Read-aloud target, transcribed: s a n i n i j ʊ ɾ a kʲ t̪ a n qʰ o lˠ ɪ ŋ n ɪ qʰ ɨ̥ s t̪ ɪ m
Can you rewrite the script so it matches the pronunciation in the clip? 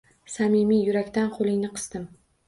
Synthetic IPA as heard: s a m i m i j ʊ ɾ a kʲ t̪ a n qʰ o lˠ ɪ ŋ n ɪ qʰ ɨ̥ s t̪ ɪ m